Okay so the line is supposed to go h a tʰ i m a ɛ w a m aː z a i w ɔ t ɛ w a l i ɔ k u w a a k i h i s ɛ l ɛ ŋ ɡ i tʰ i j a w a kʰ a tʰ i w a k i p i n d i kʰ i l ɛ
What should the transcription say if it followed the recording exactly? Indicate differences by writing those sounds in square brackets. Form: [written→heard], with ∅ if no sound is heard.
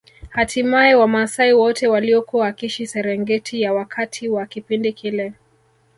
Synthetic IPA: h a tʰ i m a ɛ w a m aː [z→s] a i w ɔ t ɛ w a l i ɔ k u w a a k i [h→ʃ] i s ɛ [l→ɾ] ɛ ŋ ɡ [i→ɛ] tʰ i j a w a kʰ a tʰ i w a k i p i n d i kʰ i l ɛ